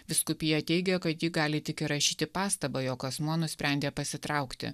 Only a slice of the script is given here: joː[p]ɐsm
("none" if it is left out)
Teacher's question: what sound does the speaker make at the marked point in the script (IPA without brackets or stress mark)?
k